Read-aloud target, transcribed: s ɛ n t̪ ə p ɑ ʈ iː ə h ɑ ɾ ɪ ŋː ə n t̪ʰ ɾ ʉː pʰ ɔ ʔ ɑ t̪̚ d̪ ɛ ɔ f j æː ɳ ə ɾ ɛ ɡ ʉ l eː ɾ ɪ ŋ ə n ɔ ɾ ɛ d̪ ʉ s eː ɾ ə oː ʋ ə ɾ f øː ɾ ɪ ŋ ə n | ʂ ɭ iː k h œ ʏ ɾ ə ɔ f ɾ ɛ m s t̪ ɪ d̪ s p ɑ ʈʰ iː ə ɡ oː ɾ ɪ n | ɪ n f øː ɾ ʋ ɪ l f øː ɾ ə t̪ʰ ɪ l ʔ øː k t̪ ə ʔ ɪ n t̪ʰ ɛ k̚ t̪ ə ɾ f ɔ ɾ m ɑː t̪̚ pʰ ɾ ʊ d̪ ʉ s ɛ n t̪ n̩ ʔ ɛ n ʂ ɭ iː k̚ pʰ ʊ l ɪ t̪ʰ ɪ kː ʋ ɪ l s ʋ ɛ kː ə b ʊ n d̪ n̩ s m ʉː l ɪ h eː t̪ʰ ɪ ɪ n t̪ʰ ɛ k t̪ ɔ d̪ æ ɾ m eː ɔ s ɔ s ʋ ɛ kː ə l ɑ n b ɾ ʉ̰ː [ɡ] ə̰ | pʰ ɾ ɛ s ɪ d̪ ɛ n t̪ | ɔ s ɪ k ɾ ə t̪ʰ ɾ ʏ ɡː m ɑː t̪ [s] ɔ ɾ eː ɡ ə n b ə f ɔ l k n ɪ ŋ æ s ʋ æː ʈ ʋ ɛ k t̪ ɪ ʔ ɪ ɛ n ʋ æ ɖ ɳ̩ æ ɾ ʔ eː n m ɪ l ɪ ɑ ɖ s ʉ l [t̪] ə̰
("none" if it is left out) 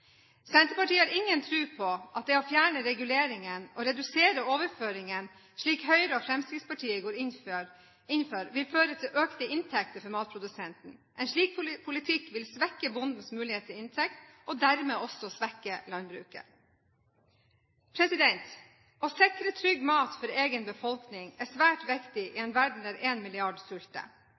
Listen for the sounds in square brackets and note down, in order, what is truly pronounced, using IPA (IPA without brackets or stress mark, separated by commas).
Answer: k, f, t̪